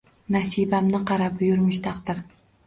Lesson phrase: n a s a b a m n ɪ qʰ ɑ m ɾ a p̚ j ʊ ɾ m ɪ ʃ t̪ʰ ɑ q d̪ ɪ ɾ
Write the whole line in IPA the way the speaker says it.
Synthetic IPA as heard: n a s i b a m n ɪ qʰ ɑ ɾ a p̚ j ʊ ɾ m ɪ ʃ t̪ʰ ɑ q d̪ ɪ ɾ